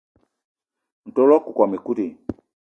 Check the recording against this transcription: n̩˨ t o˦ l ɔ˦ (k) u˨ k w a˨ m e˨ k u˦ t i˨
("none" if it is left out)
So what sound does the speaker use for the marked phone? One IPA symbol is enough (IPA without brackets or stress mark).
k